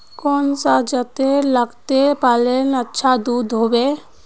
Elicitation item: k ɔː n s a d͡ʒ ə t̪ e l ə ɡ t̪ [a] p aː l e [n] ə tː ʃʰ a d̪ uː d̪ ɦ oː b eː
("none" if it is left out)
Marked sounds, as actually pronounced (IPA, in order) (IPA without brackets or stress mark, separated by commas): e, n